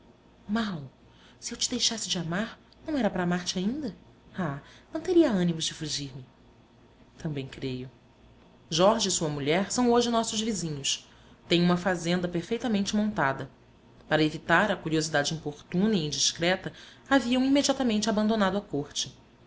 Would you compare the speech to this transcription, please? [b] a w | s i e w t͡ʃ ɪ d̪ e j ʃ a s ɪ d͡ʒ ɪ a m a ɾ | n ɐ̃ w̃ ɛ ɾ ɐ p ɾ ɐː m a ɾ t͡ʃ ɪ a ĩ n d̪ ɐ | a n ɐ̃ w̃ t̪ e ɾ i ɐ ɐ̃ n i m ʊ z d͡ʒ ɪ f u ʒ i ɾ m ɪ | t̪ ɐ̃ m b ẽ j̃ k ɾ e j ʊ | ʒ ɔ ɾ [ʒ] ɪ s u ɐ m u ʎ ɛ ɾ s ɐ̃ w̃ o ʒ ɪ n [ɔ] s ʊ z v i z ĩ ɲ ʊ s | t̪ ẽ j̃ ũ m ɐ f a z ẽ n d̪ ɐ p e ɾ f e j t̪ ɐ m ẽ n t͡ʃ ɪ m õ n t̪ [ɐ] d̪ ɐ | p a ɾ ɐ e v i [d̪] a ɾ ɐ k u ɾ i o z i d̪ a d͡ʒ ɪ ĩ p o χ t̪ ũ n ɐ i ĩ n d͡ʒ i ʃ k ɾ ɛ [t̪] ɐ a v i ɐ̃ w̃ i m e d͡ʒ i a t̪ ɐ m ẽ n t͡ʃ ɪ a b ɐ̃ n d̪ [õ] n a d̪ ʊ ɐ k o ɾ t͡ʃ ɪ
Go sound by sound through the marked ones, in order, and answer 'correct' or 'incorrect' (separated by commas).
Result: incorrect, correct, correct, incorrect, incorrect, correct, incorrect